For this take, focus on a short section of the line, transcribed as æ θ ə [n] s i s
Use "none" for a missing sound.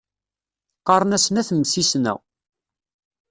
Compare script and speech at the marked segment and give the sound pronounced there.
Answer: m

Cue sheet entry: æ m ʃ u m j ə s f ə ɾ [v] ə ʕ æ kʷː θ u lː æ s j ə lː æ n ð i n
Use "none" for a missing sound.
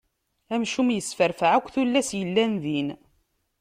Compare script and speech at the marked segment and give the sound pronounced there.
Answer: f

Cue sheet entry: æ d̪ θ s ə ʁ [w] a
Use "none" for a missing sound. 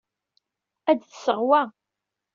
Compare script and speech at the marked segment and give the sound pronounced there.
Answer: w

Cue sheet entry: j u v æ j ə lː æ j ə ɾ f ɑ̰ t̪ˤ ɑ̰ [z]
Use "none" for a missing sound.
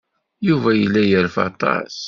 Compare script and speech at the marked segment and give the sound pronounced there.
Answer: s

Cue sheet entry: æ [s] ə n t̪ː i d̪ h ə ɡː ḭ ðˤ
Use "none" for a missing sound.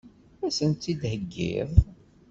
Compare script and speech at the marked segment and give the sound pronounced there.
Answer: s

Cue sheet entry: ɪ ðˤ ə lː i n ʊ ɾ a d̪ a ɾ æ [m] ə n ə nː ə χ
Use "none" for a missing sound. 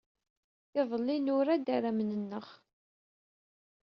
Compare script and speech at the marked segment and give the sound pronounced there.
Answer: m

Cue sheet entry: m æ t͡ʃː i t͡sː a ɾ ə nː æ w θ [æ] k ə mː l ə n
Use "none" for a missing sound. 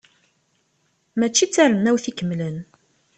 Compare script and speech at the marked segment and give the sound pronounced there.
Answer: i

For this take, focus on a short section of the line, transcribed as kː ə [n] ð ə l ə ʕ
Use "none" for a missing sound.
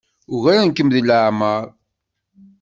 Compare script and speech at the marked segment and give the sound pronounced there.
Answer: m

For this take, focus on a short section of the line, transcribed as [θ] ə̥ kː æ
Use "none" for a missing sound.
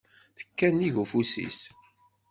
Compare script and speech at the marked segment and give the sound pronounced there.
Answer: θ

